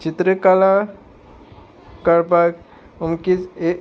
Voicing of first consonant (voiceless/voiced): voiceless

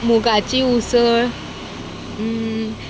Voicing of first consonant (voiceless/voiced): voiced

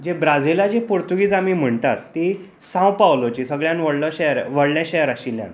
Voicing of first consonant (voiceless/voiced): voiced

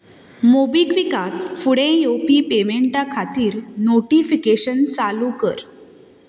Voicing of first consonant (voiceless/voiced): voiced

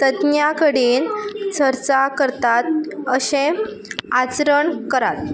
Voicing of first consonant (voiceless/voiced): voiceless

